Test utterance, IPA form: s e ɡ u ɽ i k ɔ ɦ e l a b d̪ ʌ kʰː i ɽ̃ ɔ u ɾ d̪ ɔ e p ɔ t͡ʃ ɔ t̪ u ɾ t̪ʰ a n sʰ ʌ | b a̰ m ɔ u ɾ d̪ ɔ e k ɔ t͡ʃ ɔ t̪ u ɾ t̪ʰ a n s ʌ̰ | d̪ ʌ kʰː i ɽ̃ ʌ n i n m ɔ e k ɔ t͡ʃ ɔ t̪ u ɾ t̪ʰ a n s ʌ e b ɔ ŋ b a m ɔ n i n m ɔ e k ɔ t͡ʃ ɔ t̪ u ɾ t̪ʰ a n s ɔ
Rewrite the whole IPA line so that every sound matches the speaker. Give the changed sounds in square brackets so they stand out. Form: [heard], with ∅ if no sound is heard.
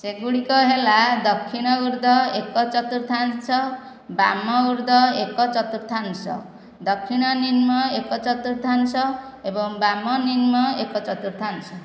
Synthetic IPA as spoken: s e ɡ u ɽ i k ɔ ɦ e l a [∅] d̪ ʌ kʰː i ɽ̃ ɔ u ɾ d̪ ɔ e [k] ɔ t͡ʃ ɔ t̪ u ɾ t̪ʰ a n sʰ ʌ | b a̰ m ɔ u ɾ d̪ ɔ e k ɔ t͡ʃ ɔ t̪ u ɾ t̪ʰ a n s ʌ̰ | d̪ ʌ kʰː i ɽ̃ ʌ n i n m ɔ e k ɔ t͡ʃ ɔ t̪ u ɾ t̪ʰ a n s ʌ e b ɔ ŋ b a m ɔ n i n m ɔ e k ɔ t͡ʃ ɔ t̪ u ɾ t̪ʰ a n s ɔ